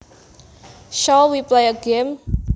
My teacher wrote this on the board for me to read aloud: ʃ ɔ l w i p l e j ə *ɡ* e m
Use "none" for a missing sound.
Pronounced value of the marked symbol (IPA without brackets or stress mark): ɡ